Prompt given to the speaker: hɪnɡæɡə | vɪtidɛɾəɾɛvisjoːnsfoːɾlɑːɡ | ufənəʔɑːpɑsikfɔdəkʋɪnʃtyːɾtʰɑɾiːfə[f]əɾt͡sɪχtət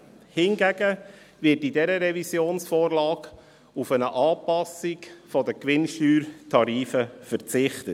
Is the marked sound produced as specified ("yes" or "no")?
yes